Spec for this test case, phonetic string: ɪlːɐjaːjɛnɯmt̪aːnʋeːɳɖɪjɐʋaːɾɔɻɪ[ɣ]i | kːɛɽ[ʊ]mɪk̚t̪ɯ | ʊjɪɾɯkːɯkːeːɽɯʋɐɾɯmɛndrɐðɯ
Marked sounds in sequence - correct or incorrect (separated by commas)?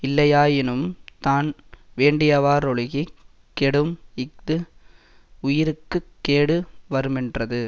correct, incorrect